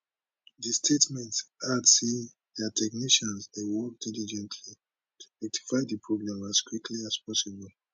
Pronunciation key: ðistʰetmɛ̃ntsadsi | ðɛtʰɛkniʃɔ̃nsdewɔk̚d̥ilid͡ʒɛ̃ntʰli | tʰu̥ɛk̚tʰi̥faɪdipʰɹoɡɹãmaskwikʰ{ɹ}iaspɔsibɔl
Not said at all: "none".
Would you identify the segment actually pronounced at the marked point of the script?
l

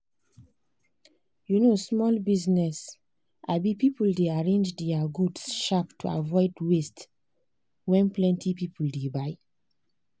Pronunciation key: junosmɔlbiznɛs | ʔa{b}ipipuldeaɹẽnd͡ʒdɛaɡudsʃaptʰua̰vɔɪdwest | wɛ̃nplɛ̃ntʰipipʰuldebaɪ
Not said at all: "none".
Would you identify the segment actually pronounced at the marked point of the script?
b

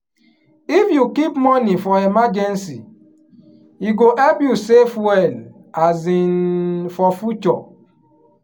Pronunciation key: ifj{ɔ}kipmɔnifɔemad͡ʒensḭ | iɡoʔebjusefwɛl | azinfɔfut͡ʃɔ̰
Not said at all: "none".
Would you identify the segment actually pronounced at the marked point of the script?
u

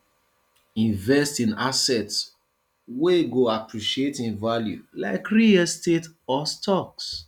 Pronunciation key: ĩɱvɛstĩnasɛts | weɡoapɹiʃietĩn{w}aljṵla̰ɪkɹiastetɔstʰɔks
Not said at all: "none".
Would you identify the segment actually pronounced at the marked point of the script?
v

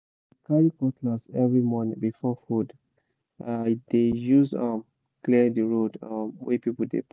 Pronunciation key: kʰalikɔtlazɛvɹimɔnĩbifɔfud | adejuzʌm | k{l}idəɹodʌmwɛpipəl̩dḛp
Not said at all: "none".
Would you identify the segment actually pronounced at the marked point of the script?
l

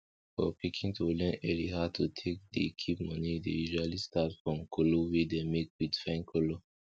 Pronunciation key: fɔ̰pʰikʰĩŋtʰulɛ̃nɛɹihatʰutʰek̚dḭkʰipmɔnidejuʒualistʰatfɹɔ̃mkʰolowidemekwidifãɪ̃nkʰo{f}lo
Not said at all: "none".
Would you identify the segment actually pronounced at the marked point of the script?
none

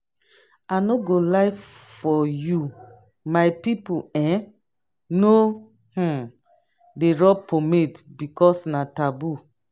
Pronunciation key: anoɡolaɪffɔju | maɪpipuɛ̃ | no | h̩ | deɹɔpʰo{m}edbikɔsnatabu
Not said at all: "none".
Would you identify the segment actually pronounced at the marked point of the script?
m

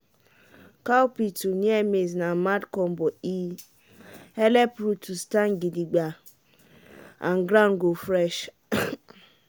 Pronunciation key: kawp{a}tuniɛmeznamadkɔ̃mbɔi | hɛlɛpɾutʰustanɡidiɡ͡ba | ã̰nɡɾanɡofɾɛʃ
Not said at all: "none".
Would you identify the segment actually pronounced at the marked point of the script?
i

